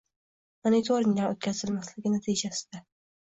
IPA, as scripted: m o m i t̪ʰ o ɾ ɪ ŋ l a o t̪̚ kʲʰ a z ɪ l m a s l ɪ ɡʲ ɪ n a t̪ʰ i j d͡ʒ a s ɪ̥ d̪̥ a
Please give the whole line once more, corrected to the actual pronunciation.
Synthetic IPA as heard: m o n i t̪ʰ o ɾ ɪ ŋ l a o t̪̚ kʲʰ a z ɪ l m a s l ɪ ɡʲ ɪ n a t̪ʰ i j d͡ʒ a s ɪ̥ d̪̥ a